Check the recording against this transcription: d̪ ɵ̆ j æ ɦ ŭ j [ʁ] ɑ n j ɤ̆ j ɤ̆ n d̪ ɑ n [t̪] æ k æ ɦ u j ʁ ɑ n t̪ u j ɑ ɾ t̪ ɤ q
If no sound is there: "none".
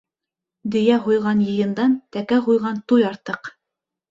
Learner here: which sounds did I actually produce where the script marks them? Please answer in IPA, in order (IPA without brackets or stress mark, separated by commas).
ʁ, t̪